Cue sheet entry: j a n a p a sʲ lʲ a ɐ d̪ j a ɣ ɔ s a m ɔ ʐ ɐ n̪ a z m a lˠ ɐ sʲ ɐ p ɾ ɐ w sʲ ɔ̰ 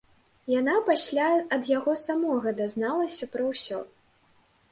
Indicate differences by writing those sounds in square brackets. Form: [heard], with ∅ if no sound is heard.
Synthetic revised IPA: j a n a p a sʲ lʲ a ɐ d̪ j a ɣ ɔ s a m ɔ [ɣ] ɐ [d̪] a z [n] a lˠ ɐ sʲ ɐ p ɾ ɐ w sʲ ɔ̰